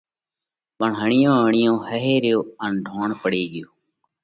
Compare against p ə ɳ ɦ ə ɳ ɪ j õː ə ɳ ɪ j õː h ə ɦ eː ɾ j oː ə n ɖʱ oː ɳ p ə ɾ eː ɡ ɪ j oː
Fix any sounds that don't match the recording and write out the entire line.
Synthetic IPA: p ə ɳ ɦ ə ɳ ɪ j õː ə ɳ ɪ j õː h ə ɦ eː ɾ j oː ə n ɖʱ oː ɳ p ə ɽ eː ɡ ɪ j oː